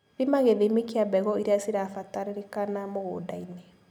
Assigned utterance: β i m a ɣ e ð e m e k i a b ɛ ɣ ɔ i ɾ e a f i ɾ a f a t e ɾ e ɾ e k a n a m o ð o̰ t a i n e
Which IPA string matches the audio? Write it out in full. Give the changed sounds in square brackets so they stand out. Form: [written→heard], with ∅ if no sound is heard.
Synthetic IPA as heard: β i m a ɣ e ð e m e k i a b ɛ ɣ ɔ i ɾ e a [f→s] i ɾ a f a t [e→a] ɾ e ɾ e k a n a m o [ð→ɣ] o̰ [t→d] a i n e